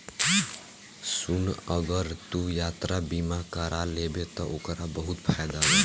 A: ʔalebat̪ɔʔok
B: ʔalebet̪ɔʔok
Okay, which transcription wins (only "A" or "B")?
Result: B